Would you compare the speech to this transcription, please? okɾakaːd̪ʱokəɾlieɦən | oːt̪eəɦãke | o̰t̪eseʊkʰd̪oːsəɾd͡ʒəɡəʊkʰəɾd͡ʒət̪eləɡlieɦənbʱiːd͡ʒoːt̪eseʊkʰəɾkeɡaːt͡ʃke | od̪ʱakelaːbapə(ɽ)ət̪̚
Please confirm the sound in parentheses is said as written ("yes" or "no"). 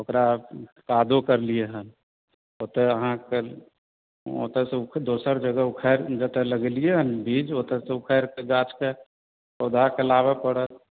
yes